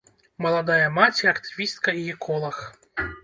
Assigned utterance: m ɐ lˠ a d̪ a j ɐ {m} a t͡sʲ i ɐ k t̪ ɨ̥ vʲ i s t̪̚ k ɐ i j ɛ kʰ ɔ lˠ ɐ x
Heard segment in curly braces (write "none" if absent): m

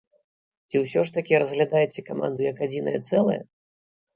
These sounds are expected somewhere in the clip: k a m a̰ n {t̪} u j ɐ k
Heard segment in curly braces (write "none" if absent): d̪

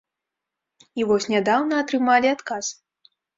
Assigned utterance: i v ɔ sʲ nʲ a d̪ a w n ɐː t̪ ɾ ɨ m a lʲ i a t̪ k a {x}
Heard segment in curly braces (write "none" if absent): s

